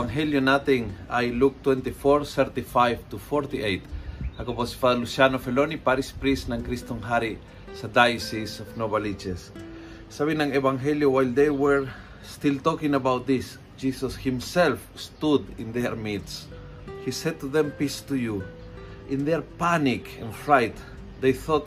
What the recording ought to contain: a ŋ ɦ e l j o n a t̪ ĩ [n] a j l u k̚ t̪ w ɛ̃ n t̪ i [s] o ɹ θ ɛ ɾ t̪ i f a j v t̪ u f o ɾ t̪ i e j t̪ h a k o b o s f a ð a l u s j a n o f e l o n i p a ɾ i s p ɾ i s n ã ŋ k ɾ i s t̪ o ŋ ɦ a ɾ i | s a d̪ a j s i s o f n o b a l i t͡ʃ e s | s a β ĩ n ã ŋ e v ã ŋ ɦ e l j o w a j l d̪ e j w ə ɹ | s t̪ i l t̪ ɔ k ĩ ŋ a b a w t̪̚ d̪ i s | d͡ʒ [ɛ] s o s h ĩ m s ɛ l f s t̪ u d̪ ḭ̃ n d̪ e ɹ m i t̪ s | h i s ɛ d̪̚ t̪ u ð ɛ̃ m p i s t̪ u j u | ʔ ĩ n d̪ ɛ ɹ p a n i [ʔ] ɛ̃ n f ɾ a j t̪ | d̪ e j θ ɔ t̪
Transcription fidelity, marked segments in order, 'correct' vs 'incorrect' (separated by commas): incorrect, incorrect, incorrect, incorrect